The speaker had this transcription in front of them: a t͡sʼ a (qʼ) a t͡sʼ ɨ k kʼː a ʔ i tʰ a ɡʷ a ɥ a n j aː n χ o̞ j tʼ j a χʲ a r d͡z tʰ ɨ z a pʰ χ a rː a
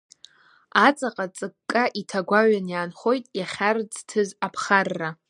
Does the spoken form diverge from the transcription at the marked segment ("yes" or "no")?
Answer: no